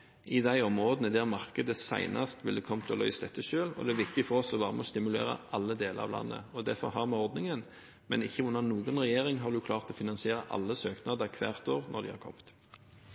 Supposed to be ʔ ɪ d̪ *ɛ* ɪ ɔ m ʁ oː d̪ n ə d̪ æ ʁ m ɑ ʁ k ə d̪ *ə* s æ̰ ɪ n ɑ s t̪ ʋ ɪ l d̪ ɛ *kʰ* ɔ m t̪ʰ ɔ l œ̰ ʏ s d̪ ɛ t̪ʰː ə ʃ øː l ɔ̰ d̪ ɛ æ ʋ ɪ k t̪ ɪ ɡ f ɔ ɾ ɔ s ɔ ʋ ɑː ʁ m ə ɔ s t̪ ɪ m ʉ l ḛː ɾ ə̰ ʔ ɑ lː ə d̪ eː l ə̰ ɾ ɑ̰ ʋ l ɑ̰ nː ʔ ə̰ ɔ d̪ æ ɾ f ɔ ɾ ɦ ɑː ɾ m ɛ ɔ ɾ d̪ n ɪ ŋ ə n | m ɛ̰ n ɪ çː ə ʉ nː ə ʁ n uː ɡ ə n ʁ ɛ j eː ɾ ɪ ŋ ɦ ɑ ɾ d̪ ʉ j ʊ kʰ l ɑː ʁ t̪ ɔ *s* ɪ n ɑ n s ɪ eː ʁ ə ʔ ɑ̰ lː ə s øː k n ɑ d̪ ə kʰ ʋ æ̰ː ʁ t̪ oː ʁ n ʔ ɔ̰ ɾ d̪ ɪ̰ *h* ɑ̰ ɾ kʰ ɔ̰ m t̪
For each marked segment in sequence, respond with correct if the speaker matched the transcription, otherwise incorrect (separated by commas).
incorrect, correct, correct, incorrect, correct